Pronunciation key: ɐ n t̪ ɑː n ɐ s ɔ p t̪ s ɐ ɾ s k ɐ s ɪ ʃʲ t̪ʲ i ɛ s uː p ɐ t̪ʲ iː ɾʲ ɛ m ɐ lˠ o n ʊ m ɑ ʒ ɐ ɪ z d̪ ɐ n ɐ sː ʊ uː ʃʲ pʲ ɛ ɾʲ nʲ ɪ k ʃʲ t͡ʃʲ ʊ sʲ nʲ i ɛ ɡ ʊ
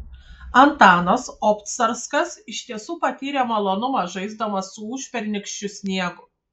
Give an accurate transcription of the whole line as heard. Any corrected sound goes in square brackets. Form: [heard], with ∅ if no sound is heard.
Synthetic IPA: ɐ n t̪ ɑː n ɐ s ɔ p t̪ s ɐ ɾ s k ɐ s ɪ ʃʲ t̪ʲ i ɛ s uː p ɐ t̪ʲ iː ɾʲ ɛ m ɐ lˠ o n ʊ m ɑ ʒ ɐ ɪ z d̪ ɐ [m] ɐ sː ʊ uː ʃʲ pʲ ɛ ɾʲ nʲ ɪ k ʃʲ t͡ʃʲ ʊ sʲ nʲ i ɛ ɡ ʊ